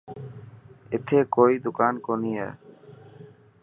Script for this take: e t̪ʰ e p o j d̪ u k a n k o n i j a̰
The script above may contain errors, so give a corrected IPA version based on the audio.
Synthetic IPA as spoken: e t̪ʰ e k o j d̪ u k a n k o n i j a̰